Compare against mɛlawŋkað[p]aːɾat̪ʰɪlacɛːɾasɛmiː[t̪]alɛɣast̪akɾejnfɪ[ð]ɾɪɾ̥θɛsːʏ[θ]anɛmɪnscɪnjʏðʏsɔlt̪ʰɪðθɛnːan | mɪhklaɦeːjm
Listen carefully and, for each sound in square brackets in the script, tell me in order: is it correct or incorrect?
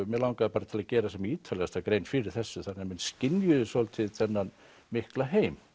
correct, incorrect: t̪ʰ, incorrect: none, correct

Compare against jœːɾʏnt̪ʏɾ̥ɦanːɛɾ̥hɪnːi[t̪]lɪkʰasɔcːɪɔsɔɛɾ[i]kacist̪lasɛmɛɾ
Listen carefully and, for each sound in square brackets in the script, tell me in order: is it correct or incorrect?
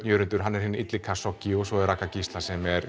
correct, incorrect: a

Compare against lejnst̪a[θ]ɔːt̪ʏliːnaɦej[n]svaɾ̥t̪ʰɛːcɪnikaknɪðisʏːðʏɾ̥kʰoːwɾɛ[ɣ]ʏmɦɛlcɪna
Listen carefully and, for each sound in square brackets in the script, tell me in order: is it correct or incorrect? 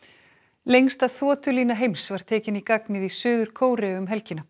correct, incorrect: m, correct

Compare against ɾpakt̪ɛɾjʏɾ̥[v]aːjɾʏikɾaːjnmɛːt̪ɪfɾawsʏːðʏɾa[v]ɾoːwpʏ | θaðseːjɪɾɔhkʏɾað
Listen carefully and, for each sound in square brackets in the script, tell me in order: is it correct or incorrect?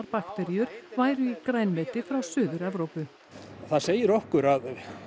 correct, correct

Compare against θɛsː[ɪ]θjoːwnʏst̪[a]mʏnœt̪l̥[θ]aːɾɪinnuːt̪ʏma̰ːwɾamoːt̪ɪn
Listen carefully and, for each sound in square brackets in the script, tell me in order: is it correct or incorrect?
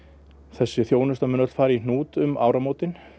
correct, correct, incorrect: f

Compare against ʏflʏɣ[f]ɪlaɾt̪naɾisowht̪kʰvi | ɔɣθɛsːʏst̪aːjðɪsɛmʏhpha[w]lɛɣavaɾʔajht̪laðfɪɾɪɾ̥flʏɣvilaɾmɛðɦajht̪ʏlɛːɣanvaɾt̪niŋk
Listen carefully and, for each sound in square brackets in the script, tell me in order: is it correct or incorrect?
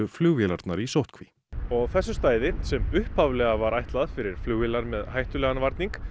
incorrect: v, incorrect: v

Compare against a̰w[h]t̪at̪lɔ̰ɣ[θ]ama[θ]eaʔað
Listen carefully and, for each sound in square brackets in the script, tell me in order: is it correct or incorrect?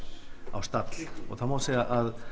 incorrect: s, correct, incorrect: s

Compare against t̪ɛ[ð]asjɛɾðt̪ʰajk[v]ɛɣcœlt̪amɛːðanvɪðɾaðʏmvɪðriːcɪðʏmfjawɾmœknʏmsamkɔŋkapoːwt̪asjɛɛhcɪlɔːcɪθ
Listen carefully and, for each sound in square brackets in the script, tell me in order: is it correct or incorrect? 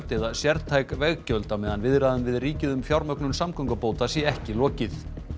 correct, correct

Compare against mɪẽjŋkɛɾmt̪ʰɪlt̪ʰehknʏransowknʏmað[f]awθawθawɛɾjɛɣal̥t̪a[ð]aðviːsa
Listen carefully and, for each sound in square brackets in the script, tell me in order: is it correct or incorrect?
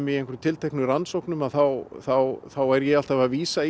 incorrect: θ, incorrect: v

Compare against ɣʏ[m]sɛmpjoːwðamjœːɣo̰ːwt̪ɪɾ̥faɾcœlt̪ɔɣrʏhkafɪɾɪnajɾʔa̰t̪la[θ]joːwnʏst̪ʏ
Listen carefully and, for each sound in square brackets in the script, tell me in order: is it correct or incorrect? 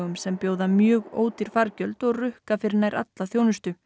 correct, correct

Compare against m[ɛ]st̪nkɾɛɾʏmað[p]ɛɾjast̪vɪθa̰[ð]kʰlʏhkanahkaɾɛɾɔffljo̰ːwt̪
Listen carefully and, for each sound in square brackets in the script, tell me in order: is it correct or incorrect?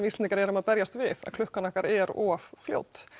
incorrect: i, correct, correct

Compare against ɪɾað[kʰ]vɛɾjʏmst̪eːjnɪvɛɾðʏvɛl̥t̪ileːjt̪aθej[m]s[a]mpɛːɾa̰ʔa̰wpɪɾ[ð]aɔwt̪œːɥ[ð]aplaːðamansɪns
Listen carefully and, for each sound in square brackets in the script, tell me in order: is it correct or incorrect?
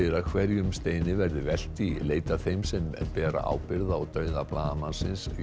correct, correct, incorrect: ɛ, correct, correct

